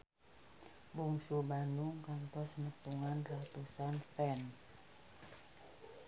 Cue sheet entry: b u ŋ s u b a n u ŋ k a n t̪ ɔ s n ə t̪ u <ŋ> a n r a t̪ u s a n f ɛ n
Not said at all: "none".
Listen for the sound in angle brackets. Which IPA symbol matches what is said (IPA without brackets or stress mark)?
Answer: ŋ